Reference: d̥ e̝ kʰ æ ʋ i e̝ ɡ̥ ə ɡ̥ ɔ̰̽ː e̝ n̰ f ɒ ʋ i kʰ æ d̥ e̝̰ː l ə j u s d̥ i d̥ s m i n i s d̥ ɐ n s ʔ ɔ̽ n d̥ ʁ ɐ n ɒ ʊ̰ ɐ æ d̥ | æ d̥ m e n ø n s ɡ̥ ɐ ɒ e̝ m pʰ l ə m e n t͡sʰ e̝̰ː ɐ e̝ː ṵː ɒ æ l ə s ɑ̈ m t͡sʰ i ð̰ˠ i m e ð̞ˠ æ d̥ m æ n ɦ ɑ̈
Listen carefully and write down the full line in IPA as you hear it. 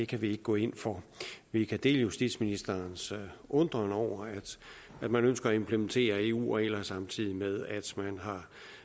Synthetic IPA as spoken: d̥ e̝ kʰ æ ʋ i e̝ ɡ̥ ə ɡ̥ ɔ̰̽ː e̝ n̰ f ɒ ʋ i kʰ æ d̥ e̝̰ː l ə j u s d̥ i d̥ s m i n i s d̥ ɐ n s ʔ ɔ̽ n d̥ ʁ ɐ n ɒ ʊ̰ ɐ æ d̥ | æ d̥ m æ n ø n s ɡ̥ ɐ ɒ e̝ m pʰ l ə m e n t͡sʰ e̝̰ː ɐ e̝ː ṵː ɒ e l ɐ s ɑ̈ m t͡sʰ i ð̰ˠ i m e ð̞ˠ æ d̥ m æ n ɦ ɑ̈